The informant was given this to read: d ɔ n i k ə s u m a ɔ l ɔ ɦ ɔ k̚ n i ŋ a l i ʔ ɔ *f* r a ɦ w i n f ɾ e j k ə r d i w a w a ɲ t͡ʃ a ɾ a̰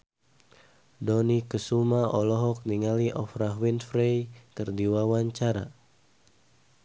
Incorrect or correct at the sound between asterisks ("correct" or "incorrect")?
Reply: correct